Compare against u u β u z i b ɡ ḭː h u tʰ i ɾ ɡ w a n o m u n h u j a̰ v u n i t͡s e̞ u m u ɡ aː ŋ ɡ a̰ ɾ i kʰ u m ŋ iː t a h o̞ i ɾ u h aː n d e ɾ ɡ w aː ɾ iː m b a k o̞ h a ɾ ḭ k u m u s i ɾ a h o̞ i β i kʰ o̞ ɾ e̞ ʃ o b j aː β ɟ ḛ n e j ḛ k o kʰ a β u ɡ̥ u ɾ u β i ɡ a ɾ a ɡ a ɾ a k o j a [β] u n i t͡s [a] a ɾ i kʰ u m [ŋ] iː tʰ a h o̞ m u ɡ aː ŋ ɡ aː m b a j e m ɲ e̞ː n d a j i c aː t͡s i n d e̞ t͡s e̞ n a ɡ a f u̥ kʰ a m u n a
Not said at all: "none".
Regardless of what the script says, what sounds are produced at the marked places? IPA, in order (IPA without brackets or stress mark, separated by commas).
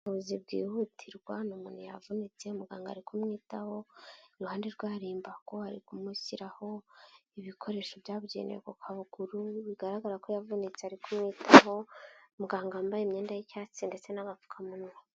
v, e, ŋ